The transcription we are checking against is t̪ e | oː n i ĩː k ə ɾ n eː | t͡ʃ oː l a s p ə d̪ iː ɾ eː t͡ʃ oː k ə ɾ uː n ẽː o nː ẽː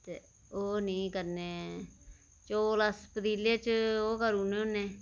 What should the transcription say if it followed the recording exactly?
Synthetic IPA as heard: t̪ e | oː n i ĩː k ə ɾ n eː | t͡ʃ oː l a s p ə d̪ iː l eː t͡ʃ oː k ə ɾ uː n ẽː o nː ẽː